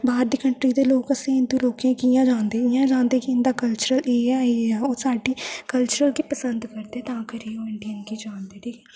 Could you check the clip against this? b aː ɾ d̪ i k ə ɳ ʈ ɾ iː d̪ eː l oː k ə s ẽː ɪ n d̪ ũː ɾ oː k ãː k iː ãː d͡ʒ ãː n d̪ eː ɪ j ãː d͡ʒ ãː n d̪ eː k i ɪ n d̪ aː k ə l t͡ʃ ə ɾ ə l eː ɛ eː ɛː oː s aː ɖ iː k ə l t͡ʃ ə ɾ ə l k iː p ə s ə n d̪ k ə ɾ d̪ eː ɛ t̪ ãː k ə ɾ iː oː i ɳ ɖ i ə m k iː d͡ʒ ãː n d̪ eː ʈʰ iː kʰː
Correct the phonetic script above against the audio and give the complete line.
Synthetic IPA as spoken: b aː ɾ d̪ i k ə ɳ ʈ ɾ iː d̪ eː l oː k ə s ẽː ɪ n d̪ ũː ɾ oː k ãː k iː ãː d͡ʒ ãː n d̪ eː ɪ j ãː d͡ʒ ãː n d̪ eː k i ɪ n d̪ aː k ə l t͡ʃ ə ɾ ə l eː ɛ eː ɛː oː s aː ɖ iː k ə l t͡ʃ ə ɾ ə l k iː p ə s ə n d̪ k ə ɾ d̪ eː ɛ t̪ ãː k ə ɾ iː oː ɪ ɳ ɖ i ə n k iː d͡ʒ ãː n d̪ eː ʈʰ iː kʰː